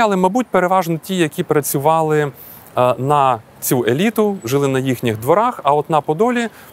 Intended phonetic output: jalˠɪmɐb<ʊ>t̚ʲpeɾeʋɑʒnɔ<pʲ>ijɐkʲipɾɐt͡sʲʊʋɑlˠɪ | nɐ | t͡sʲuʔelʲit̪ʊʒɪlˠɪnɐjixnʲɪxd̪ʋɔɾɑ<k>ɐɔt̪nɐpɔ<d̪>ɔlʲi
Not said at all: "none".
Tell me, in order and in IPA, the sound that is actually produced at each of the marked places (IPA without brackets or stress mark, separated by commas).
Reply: u, tʲ, x, d̪